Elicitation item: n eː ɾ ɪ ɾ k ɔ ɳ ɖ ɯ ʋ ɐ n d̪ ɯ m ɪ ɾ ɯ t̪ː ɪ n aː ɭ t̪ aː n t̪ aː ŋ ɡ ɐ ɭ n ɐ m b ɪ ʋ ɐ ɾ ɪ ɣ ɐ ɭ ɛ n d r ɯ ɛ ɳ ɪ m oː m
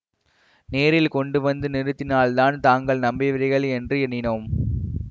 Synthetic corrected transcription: n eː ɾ ɪ l k ɔ ɳ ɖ ɯ ʋ ɐ n d̪ ɯ n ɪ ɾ ɯ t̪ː ɪ n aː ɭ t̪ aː n t̪ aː ŋ ɡ ɐ ɭ n ɐ m b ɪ ʋ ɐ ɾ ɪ ɣ ɐ ɭ ɛ n d r ɯ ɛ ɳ ɪ n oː m